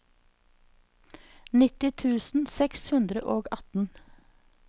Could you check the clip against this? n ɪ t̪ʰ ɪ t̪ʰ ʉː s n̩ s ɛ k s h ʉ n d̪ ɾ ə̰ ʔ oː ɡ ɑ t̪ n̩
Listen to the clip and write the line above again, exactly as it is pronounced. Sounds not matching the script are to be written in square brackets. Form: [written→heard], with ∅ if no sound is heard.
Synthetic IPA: n ɪ [t̪ʰ→t̪] ɪ t̪ʰ ʉː s n̩ s ɛ k s h ʉ n d̪ ɾ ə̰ ʔ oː ɡ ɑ t̪ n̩

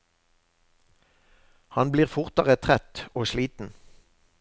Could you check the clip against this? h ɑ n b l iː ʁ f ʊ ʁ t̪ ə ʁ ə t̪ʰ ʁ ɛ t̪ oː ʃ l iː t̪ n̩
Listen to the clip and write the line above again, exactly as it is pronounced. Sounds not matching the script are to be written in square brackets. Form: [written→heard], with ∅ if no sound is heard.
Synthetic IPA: h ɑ n b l iː ʁ f ʊ ʁ t̪ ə ʁ ə t̪ʰ ʁ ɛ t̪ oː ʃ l iː t̪ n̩

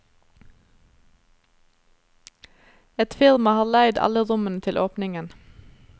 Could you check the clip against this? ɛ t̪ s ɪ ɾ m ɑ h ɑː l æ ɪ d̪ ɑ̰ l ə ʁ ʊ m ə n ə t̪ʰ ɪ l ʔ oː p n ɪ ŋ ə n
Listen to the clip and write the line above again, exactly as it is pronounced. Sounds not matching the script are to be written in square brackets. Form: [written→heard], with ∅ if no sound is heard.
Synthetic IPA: ɛ t̪ [s→f] ɪ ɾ m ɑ h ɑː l æ ɪ d̪ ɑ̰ l ə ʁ ʊ m ə n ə t̪ʰ ɪ l ʔ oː p n ɪ ŋ ə n

